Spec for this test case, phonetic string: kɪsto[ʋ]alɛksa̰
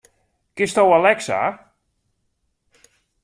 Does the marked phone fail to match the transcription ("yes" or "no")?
yes